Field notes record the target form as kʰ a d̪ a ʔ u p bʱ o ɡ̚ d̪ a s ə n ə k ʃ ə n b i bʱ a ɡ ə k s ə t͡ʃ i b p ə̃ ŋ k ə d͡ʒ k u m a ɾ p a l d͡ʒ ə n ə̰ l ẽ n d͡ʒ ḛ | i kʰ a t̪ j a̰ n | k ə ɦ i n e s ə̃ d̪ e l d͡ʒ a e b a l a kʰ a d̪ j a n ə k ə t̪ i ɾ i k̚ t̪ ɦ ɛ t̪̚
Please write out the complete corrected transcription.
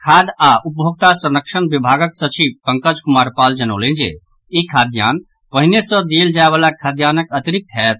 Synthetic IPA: kʰ a d̪ a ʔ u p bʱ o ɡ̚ t̪ a s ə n ə k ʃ ə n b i bʱ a ɡ ə k s ə t͡ʃ i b p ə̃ ŋ k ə d͡ʒ k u m a ɾ p a l d͡ʒ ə n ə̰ l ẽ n d͡ʒ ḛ | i kʰ a d̪ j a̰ n | p ə ɦ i n e s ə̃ d̪ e l d͡ʒ a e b a l a kʰ a d̪ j a n ə k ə t̪ i ɾ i k̚ t̪ ɦ ɛ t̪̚

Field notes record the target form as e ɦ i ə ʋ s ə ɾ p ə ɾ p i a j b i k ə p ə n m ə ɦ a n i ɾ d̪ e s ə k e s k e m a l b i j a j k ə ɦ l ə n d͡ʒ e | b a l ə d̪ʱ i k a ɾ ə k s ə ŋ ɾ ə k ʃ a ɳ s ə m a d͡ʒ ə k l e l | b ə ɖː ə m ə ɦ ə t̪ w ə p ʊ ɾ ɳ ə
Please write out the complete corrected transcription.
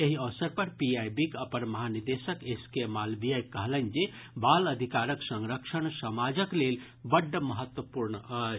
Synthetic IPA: e ɦ i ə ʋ s ə ɾ p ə ɾ p i a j b i k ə p ə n m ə ɦ a n i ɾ d̪ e s ə k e s k e m a l b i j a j k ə ɦ l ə n d͡ʒ e | b a l ə d̪ʱ i k a ɾ ə k s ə ŋ ɾ ə k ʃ ə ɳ s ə m a d͡ʒ ə k l e l | b ə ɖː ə m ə ɦ ə t̪ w ə p u ɾ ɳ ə

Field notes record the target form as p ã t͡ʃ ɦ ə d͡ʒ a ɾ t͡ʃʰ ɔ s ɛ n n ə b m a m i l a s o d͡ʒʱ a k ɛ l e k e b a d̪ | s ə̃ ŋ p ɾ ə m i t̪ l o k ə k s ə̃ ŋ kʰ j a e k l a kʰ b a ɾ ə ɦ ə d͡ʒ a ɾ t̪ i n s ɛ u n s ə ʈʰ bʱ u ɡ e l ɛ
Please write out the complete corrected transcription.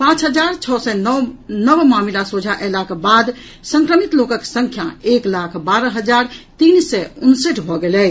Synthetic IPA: p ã t͡ʃ ɦ ə d͡ʒ a ɾ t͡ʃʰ ɔ s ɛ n n ə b m a m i l a s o d͡ʒʱ a ʔ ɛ l a k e b a d̪ | s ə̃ ŋ k ɾ ə m i t̪ l o k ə k s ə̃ ŋ kʰ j a e k l a kʰ b a ɾ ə ɦ ə d͡ʒ a ɾ t̪ i n s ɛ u n s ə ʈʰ bʱ ɔ ɡ e l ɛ

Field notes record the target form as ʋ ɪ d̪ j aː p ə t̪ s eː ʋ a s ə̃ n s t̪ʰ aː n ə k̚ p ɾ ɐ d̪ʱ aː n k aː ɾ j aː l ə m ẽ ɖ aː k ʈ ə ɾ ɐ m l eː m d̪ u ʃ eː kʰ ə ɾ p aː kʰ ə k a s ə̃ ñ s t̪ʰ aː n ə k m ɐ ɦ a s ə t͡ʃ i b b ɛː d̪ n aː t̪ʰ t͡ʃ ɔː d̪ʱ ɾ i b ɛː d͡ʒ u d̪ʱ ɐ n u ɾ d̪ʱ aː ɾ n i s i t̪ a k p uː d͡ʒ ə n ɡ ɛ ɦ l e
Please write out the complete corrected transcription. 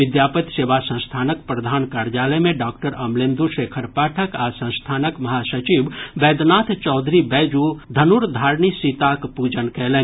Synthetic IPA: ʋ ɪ d̪ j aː p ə t̪ s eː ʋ a s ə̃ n s t̪ʰ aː n ə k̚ p ɾ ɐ d̪ʱ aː n k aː ɾ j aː l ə m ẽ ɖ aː k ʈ ə ɾ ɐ m l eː m d̪ u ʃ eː kʰ ə ɾ p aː ʈʰ ə k a s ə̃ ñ s t̪ʰ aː n ə k m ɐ ɦ a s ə t͡ʃ i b b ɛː d̪ n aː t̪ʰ t͡ʃ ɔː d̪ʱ ɾ i b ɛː d͡ʒ u d̪ʱ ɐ n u ɾ d̪ʱ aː ɾ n i s i t̪ a k p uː d͡ʒ ə n k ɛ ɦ l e

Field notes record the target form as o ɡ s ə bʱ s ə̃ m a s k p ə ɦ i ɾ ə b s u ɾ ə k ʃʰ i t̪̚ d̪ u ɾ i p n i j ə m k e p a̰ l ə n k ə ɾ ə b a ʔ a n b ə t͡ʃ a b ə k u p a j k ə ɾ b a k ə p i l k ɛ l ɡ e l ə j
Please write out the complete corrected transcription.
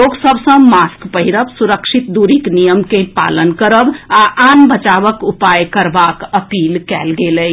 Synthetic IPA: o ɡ s ə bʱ s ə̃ m a s k p ə ɦ i ɾ ə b s u ɾ ə k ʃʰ i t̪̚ d̪ u ɾ i k n i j ə m k e p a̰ l ə n k ə ɾ ə b a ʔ a n b ə t͡ʃ a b ə k u p a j k ə ɾ b a k ə p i l k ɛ l ɡ e l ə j

